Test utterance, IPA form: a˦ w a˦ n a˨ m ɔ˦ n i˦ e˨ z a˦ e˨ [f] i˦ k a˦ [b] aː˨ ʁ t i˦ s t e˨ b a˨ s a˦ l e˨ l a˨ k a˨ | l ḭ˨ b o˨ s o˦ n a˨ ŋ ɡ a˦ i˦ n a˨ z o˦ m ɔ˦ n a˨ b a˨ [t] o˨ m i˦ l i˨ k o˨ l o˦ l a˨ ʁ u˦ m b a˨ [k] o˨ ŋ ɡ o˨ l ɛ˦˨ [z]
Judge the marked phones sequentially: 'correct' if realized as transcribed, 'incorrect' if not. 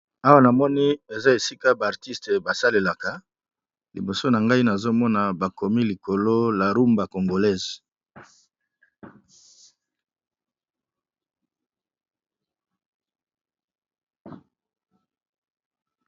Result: incorrect, correct, incorrect, correct, correct

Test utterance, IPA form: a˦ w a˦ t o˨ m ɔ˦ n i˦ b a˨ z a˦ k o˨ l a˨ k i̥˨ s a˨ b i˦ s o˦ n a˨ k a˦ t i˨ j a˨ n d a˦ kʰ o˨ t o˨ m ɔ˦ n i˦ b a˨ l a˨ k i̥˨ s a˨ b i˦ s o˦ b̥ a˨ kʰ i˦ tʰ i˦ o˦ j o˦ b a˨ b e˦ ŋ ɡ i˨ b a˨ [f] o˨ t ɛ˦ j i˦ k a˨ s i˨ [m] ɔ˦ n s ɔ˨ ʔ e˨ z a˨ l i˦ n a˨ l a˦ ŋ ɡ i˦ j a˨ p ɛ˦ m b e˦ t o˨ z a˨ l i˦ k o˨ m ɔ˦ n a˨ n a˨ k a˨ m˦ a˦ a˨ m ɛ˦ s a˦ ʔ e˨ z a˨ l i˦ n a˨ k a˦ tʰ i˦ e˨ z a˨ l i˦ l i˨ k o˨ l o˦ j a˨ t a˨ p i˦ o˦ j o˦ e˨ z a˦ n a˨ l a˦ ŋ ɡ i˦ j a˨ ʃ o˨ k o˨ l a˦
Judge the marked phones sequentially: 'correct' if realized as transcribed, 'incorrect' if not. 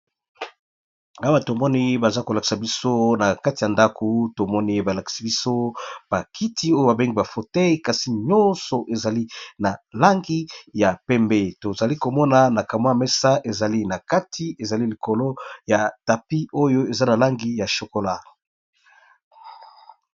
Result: correct, incorrect

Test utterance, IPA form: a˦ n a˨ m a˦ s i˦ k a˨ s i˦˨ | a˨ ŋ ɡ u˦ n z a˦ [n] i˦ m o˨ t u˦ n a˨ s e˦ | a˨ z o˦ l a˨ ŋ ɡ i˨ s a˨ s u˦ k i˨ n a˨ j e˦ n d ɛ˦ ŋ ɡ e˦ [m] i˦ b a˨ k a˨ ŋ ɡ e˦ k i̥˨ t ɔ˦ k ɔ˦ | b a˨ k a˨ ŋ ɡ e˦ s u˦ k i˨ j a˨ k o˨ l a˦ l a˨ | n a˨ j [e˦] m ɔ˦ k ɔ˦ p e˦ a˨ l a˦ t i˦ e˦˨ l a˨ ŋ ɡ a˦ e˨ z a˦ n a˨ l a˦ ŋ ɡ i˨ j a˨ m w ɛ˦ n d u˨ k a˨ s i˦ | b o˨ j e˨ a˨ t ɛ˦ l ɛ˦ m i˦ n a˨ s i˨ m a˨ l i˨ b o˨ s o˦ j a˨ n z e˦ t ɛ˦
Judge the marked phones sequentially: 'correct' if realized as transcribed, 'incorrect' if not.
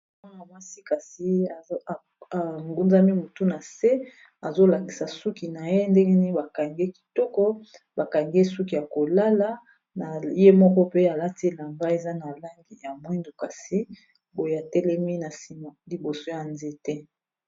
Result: incorrect, incorrect, correct

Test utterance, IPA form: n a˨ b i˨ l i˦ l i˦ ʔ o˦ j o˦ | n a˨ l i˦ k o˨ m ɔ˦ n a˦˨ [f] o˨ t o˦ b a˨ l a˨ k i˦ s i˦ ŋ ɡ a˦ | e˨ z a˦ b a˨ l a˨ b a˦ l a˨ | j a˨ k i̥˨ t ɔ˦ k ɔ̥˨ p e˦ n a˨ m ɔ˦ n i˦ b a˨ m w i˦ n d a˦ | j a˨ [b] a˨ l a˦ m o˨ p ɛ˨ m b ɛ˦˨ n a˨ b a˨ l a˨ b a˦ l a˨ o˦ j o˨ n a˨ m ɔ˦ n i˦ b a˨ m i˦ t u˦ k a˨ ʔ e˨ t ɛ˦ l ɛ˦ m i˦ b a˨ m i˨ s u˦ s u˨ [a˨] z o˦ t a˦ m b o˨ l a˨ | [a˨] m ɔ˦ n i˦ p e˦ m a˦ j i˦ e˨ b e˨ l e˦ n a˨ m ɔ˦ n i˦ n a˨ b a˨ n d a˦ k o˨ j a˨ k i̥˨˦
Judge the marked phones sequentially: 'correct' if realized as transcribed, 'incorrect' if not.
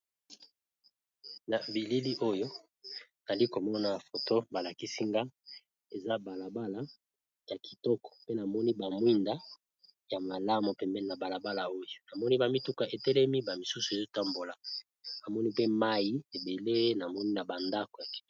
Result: correct, incorrect, incorrect, correct

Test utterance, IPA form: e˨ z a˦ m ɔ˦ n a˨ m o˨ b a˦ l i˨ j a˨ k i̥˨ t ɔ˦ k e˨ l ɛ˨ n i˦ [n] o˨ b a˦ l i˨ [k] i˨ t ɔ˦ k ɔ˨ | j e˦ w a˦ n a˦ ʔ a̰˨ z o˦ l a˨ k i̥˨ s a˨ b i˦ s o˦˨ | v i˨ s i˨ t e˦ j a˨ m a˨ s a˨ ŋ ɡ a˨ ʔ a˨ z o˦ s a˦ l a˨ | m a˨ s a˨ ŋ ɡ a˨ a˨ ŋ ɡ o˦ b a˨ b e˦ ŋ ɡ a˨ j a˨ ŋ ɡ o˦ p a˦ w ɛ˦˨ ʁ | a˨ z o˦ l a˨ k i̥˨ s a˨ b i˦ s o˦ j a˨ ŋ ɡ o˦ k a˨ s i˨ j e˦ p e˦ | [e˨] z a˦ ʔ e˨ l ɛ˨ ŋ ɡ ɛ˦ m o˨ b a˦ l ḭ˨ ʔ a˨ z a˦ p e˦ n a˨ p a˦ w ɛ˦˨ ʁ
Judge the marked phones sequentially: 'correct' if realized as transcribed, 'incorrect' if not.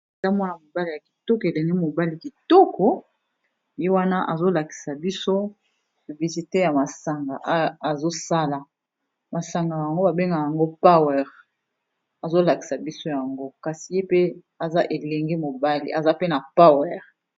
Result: incorrect, correct, incorrect

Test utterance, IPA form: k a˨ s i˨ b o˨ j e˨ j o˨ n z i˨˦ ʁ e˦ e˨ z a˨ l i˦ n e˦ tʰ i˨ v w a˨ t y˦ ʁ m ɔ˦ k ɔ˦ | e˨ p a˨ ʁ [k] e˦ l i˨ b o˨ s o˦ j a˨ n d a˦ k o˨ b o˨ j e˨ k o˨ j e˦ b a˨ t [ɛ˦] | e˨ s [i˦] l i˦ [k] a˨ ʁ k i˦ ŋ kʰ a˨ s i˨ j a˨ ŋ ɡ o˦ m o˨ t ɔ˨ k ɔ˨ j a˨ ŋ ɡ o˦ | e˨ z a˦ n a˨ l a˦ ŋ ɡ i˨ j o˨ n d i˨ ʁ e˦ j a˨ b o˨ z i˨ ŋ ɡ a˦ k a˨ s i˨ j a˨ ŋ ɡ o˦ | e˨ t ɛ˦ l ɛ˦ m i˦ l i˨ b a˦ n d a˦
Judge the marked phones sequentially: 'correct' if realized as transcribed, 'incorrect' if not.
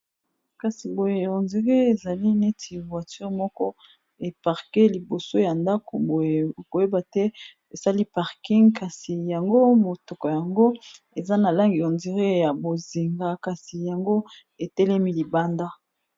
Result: correct, correct, incorrect, incorrect

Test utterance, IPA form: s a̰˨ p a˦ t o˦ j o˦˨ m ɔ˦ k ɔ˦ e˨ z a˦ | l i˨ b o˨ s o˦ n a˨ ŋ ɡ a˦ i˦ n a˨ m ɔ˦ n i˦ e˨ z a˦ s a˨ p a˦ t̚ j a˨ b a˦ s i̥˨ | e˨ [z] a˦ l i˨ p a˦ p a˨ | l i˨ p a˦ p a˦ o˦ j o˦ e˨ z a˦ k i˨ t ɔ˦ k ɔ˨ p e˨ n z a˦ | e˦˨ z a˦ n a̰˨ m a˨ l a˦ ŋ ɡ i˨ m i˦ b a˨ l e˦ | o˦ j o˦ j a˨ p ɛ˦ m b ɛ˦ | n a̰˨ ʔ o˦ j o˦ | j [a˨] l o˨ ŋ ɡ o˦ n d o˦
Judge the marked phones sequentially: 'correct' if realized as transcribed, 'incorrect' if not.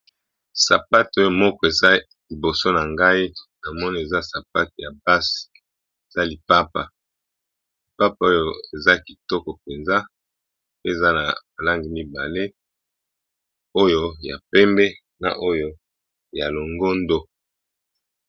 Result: correct, correct

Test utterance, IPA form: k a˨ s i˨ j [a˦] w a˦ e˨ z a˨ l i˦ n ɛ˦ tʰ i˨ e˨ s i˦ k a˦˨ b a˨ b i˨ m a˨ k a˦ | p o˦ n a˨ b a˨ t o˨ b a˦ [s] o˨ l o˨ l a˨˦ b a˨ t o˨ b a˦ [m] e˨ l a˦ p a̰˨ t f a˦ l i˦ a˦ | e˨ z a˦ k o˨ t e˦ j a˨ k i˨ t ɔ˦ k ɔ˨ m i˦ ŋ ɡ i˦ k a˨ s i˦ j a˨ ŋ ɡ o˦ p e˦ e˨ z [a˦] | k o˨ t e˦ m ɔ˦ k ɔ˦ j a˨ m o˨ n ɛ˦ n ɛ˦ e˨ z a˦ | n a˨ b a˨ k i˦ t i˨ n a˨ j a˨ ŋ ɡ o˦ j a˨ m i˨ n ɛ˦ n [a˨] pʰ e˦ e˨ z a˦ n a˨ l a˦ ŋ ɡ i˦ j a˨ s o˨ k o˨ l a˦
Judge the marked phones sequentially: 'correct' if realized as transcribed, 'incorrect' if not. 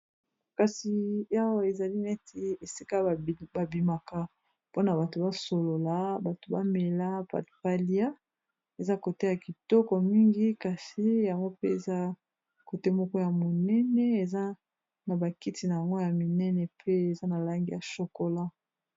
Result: correct, correct, correct, correct, incorrect

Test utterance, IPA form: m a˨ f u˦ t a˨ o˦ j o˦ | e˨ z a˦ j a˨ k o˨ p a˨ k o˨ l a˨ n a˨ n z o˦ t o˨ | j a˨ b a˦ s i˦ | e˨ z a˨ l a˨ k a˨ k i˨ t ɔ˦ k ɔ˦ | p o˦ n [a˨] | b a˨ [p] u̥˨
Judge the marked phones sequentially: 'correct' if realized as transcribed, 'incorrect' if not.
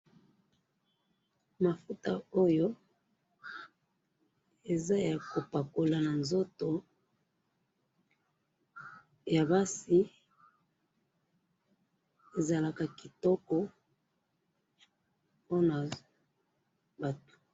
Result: correct, incorrect

